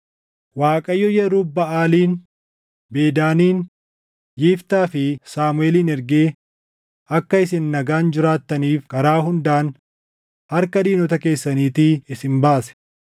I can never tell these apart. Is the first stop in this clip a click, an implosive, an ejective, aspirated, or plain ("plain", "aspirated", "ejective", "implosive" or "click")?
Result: ejective